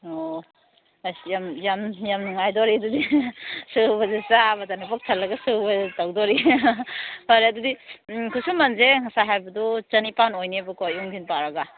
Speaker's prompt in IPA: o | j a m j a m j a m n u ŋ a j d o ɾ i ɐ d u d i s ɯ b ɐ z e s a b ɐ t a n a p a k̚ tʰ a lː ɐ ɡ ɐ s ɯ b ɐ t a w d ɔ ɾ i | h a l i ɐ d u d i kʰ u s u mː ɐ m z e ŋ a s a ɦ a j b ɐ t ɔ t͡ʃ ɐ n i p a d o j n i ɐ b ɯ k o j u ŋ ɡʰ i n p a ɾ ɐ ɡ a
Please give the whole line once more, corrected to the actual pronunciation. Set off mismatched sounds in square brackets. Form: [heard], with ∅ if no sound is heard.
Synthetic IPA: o | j a m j a m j a m n u ŋ a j d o ɾ i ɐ d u d i s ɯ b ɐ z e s a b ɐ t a n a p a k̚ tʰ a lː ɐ ɡ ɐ s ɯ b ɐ t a w d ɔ ɾ i | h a [ɾ] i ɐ d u d i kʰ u s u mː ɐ [n] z e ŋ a s a ɦ a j b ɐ [d] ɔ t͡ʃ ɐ n i p a [n] o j n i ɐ b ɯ k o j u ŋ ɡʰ i n p a ɾ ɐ ɡ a

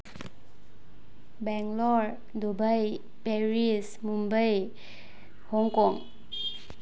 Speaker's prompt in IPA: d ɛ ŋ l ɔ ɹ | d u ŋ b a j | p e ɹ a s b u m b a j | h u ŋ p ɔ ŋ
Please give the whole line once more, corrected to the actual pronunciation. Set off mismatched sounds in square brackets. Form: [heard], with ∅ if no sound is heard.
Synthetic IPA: [b] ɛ ŋ l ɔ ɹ | d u [∅] b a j | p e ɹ [i] s [m] u m b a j | h [ɔ] ŋ [k] ɔ ŋ

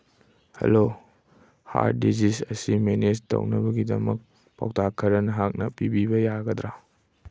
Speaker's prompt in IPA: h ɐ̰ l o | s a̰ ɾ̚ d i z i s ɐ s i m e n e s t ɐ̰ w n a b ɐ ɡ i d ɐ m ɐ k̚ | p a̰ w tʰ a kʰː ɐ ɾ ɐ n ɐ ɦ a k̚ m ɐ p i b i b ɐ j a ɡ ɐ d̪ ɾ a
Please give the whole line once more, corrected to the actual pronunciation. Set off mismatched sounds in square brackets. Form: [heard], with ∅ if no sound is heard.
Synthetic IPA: h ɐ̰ l o | [h] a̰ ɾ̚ d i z i s ɐ s i m e n e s t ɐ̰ w n [ɐ] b ɐ ɡ i d ɐ m ɐ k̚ | p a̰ w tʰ a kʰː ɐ ɾ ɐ n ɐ ɦ a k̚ [n] ɐ p i b i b ɐ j a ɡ ɐ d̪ ɾ a

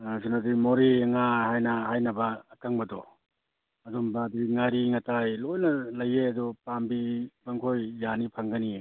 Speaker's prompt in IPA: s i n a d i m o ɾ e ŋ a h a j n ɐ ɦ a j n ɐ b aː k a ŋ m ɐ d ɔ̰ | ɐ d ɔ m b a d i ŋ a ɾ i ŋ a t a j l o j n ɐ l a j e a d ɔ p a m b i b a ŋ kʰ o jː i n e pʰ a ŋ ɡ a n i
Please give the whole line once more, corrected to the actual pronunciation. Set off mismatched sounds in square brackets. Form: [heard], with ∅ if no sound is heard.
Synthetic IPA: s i n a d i m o ɾ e ŋ a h a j n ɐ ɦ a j n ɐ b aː k a ŋ [b] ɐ d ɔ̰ | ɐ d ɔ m b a d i ŋ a ɾ i ŋ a t a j l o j n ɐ l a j e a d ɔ p a m b i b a ŋ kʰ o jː [a] n [i] pʰ a ŋ ɡ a n i

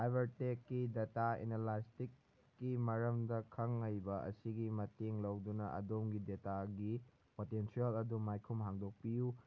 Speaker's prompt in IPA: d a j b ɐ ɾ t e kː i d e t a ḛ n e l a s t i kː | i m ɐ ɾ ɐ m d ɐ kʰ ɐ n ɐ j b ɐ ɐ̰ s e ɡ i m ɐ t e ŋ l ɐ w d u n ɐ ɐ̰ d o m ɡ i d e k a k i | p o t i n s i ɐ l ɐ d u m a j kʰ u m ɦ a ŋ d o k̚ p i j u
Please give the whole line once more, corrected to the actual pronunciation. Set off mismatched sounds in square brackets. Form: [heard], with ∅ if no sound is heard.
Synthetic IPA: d a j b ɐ ɾ t e kː i d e t a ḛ n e l a s t i kː | i m ɐ ɾ ɐ m d ɐ kʰ ɐ [ŋ] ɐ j b ɐ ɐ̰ s [i] ɡ i m ɐ t e ŋ l ɐ w d u n ɐ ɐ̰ d o m ɡ i d e [t] a [ɡ] i | p o t [e] n s i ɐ l ɐ d u m a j kʰ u m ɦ a ŋ d o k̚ p i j u

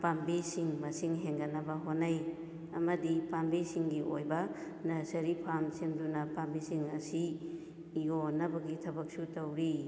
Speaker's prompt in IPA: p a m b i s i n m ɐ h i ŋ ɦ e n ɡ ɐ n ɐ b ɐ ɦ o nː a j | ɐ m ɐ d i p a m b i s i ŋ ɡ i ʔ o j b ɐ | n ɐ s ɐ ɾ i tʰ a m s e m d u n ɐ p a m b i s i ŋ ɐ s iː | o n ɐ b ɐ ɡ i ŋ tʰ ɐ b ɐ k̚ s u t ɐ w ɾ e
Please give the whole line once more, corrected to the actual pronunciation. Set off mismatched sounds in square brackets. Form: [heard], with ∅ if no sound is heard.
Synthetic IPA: p a m b i s i [ŋ] m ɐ [s] i ŋ ɦ e [ŋ] ɡ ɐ n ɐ b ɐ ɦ o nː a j | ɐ m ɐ d i p a m b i s i ŋ ɡ i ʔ o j b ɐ | n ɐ s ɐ ɾ i [pʰ] a m s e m d u n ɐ p a m b i s i ŋ ɐ s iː | o n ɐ b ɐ ɡ i [∅] tʰ ɐ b ɐ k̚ s u t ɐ w ɾ [i]

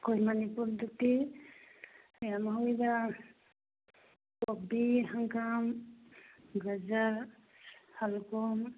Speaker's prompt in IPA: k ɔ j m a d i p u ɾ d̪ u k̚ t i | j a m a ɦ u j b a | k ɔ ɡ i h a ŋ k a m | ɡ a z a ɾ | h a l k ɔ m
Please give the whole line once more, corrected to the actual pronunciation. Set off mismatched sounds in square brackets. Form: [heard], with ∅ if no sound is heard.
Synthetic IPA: k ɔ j m a [n] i p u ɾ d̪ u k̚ t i | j a m a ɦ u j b a | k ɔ [b] i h a ŋ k a m | ɡ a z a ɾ | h a l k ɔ m

